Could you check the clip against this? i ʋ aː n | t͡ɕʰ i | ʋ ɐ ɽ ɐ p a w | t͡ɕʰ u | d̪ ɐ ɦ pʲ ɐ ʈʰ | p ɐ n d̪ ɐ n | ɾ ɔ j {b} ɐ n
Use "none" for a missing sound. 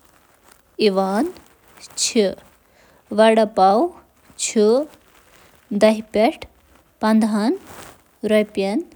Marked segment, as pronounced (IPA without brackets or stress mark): p